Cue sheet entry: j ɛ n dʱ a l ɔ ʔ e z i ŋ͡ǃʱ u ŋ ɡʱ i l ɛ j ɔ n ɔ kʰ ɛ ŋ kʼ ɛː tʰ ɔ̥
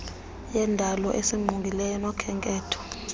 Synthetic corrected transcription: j ɛ n dʱ a l ɔ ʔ e s i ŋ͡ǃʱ u ŋ ɡʱ i l ɛ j ɔ n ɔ kʰ ɛ ŋ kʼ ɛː tʰ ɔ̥